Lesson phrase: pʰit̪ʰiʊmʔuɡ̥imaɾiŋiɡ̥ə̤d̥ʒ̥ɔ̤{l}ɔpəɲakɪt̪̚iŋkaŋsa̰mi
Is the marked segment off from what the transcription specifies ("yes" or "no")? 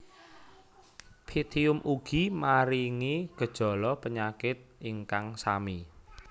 no